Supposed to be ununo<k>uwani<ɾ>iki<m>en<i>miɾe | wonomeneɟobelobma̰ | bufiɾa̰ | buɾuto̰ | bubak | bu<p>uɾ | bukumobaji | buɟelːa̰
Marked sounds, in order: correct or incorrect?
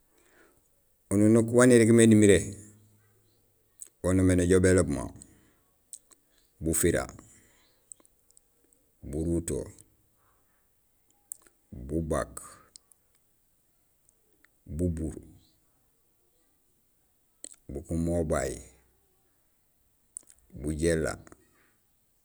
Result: correct, correct, correct, correct, incorrect: b

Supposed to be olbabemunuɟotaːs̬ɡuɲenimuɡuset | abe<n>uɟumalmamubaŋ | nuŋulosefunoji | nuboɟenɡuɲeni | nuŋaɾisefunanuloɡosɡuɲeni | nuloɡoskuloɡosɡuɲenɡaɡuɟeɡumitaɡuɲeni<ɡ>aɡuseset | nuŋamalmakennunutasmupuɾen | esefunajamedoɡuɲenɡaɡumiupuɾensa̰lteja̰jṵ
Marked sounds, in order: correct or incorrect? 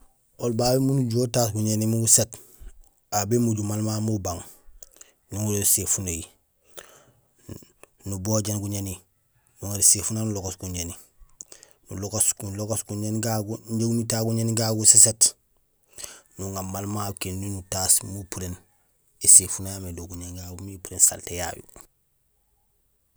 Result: incorrect: m, correct

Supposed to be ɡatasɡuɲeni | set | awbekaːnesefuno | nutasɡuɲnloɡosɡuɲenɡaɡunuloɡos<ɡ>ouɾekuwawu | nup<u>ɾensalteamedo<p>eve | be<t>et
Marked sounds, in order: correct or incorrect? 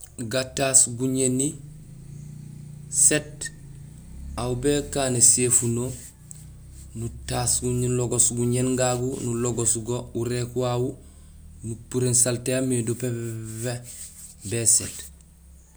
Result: correct, correct, correct, incorrect: s

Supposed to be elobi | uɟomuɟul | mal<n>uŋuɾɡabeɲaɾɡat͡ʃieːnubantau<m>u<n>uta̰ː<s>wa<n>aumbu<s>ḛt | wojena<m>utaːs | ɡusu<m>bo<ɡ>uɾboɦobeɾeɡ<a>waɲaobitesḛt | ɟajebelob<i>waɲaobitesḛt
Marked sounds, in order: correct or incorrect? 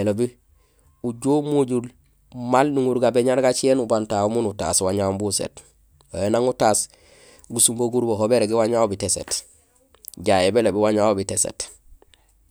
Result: correct, correct, correct, correct, incorrect: ɲ, correct, incorrect: ŋ, correct, correct, incorrect: i, correct

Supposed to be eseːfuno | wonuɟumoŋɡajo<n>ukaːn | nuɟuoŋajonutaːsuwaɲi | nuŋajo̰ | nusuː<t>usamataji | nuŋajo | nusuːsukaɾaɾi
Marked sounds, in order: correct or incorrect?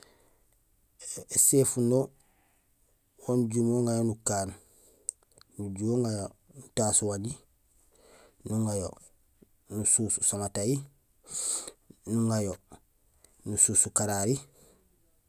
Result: correct, incorrect: s

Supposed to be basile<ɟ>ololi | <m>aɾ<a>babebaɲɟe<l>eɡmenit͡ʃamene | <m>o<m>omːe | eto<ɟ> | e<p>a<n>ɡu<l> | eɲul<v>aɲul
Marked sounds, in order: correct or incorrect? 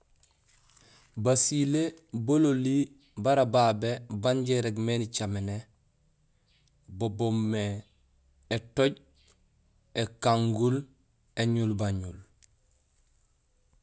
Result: incorrect: b, incorrect: b, correct, incorrect: ɾ, incorrect: b, incorrect: b, correct, incorrect: k, incorrect: ŋ, correct, incorrect: b

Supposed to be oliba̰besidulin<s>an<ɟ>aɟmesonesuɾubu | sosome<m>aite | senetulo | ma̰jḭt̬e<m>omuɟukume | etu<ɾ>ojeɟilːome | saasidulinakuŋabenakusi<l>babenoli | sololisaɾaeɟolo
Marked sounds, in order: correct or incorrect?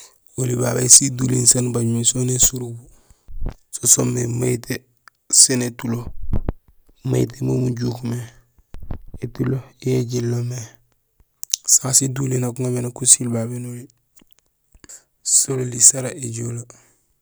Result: correct, incorrect: b, correct, correct, incorrect: l, correct

